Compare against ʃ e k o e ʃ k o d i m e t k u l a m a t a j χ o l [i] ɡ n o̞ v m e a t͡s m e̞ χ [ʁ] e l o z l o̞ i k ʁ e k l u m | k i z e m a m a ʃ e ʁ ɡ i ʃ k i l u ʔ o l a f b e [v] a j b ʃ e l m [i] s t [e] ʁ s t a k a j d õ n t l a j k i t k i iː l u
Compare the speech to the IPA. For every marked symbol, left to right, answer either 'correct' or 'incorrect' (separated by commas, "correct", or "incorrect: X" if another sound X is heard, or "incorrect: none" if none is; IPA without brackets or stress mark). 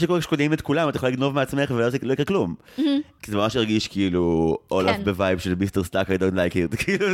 correct, incorrect: v, correct, correct, correct